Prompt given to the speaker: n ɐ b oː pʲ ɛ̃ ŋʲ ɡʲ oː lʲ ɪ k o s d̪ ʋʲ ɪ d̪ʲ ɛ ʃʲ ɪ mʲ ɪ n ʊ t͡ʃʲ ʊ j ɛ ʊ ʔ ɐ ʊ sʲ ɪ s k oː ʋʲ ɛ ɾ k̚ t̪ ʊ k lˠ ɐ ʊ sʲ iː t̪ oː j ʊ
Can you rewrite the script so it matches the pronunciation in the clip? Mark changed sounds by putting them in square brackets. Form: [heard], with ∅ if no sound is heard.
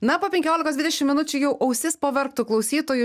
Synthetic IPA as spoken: n ɐ [p] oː pʲ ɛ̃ ŋʲ [kʲ] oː lʲ ɪ k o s d̪ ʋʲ ɪ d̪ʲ ɛ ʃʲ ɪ mʲ ɪ n ʊ t͡ʃʲ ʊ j ɛ ʊ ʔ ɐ ʊ sʲ ɪ s [p] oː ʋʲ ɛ ɾ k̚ t̪ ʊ k lˠ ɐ ʊ sʲ iː t̪ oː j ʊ